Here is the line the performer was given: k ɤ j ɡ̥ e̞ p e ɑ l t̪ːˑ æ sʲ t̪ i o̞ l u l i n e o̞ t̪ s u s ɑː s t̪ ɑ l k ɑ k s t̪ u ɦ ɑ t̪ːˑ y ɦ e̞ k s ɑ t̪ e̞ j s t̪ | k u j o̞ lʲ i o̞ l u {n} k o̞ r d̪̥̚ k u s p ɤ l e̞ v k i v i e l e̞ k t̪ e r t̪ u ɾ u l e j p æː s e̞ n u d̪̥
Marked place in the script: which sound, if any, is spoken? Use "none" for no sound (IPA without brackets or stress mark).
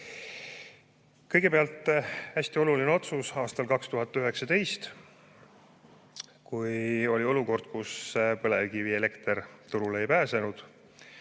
none